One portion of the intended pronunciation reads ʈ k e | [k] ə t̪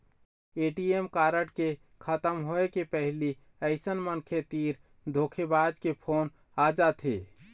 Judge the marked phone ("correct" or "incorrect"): incorrect